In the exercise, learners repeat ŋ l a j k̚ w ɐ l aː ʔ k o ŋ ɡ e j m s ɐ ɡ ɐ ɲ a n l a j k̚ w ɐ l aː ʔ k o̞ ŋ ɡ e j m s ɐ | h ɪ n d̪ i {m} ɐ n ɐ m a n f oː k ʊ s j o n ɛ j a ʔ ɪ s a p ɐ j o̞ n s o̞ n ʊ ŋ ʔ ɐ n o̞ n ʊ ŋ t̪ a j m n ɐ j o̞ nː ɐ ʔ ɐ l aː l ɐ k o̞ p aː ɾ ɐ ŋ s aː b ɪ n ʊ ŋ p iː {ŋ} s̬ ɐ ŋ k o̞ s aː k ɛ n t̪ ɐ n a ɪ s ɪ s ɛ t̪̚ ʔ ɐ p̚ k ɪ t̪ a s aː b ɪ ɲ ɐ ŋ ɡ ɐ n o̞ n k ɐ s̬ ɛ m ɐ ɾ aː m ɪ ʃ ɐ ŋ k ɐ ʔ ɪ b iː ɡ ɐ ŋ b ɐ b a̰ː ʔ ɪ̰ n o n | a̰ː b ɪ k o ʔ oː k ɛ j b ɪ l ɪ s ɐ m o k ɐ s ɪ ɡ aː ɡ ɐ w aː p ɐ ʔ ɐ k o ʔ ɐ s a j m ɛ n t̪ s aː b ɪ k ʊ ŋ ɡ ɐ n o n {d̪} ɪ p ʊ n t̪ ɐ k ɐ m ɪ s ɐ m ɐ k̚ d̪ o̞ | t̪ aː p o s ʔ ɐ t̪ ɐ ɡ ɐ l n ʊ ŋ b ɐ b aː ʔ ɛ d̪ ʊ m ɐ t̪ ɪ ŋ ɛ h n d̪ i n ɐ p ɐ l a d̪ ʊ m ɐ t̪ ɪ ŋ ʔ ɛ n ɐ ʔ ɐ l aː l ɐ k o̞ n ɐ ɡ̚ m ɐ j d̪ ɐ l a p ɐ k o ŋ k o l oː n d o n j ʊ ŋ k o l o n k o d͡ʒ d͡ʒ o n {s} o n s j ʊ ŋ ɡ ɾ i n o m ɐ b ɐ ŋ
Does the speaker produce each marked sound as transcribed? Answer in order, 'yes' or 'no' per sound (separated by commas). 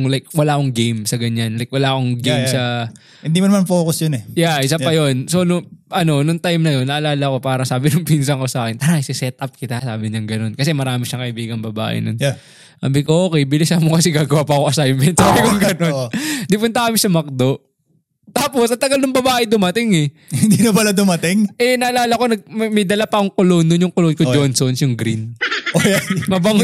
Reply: yes, no, yes, yes